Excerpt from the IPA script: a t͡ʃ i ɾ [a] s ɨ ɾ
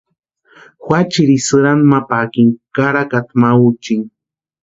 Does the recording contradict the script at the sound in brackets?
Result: yes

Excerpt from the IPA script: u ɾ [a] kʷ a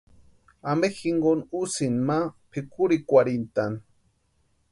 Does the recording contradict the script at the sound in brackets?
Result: yes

